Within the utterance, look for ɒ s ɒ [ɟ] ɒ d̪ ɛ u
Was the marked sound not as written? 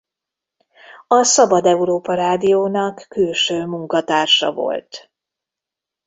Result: yes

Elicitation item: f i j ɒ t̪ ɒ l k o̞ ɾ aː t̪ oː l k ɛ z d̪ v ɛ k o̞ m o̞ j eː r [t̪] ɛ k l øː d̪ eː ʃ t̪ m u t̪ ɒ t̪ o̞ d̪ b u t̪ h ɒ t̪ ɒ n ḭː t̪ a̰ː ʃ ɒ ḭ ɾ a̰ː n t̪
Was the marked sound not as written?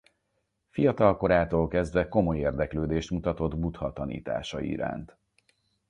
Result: yes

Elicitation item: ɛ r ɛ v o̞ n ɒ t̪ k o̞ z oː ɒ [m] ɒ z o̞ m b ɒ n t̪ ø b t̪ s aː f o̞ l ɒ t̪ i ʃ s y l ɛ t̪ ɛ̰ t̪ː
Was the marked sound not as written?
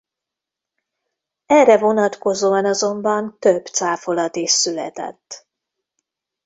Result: yes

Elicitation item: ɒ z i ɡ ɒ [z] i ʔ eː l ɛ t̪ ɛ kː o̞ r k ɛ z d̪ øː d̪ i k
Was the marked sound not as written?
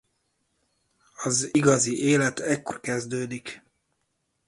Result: no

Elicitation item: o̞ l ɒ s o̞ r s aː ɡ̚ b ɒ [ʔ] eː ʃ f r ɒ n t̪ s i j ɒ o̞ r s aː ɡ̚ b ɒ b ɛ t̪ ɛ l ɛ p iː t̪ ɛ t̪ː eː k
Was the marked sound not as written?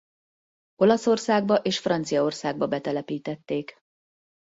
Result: no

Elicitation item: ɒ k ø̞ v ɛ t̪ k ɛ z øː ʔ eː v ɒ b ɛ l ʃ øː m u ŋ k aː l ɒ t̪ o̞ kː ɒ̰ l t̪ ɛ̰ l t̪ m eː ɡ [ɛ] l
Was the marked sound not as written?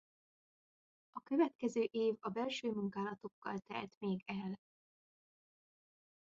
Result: no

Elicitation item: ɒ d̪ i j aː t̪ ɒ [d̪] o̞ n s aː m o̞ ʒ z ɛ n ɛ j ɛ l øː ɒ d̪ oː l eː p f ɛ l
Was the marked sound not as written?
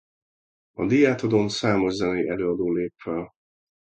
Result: no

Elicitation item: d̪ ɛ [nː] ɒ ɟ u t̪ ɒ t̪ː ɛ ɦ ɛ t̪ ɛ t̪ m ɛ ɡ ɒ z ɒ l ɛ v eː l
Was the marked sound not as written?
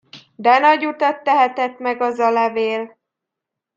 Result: yes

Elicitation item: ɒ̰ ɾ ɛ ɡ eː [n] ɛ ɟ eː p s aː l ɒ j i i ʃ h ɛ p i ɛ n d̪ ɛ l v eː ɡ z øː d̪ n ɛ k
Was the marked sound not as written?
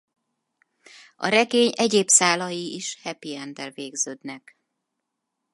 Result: yes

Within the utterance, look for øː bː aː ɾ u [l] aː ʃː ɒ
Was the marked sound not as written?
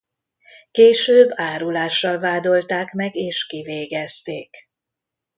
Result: no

